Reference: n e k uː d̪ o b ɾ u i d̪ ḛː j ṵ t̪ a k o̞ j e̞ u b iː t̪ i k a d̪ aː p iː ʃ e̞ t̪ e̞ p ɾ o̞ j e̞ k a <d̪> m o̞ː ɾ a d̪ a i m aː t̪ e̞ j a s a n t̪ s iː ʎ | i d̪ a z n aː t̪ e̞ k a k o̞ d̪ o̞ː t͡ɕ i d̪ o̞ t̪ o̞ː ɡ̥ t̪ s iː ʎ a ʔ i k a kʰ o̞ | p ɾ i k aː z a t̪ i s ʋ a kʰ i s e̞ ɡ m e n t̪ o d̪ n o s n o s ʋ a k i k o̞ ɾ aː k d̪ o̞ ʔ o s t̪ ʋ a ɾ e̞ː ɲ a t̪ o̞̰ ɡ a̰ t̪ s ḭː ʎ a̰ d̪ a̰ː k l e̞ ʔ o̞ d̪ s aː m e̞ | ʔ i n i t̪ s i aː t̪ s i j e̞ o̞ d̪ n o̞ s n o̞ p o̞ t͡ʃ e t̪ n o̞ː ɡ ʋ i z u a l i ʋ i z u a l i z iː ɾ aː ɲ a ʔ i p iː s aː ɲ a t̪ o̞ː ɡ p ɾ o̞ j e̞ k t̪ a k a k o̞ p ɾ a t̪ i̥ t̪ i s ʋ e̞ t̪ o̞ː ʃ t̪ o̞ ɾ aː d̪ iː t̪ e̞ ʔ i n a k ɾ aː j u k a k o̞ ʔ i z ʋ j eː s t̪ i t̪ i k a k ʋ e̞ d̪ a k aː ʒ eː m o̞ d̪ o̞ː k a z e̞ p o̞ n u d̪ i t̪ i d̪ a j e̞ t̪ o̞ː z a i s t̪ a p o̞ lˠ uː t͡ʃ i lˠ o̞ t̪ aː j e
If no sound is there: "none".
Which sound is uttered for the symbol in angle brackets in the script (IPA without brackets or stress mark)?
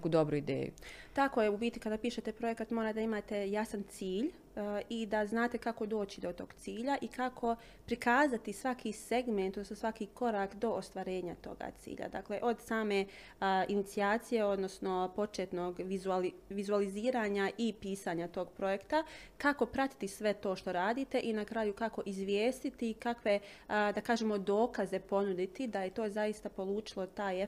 t̪